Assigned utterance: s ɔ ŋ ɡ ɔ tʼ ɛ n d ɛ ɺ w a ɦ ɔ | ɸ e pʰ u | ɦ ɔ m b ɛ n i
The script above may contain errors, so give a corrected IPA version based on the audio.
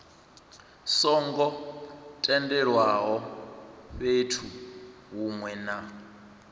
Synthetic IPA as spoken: s ɔ ŋ ɡ ɔ tʼ ɛ n d ɛ ɺ w a ɦ ɔ | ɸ e tʰ u | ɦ u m w ɛ n a